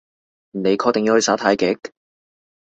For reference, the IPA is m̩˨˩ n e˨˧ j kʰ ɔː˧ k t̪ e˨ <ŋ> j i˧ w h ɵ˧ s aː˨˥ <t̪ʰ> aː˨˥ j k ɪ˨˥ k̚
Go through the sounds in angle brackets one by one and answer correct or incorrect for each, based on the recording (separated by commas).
correct, correct